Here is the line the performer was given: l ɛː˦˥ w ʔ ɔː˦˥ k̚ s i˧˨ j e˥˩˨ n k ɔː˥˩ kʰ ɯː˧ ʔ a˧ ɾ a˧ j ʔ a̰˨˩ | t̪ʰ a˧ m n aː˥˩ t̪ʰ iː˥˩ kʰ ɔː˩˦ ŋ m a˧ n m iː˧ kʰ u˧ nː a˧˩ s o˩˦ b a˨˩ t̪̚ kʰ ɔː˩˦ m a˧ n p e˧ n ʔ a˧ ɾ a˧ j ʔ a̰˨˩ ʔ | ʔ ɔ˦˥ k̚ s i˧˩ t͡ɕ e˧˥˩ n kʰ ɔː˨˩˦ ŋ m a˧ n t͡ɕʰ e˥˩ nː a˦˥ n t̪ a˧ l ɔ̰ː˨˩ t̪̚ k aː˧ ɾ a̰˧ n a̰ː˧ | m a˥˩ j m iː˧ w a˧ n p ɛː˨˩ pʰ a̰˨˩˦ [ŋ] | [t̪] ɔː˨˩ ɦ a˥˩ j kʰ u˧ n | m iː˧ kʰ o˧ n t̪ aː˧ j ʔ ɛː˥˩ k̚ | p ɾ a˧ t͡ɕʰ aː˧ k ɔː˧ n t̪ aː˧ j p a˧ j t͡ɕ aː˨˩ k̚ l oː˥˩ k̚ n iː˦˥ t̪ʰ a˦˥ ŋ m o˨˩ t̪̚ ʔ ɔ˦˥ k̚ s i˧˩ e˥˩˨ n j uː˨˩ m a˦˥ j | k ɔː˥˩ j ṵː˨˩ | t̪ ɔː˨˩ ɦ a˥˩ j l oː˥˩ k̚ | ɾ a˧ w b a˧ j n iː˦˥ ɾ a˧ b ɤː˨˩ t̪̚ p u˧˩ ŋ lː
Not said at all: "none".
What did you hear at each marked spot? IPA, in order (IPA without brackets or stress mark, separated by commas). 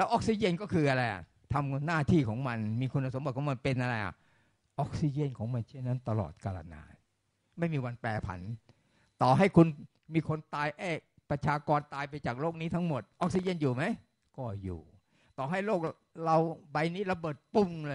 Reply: n, t̪